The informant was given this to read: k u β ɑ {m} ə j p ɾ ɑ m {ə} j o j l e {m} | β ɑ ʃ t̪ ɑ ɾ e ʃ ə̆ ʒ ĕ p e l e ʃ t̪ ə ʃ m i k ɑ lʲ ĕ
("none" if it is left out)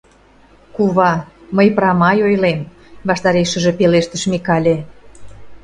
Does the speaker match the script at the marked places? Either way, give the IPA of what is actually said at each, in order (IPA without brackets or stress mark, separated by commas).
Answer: m, ɑ, m